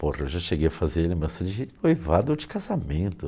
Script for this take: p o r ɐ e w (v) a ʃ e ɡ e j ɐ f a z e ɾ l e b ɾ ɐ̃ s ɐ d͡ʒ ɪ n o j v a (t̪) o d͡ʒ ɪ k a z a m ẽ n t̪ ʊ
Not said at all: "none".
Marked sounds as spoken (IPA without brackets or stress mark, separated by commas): ʒ, d̪